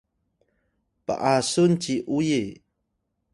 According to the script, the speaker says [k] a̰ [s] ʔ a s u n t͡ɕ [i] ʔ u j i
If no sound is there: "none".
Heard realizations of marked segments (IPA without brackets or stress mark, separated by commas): p, none, i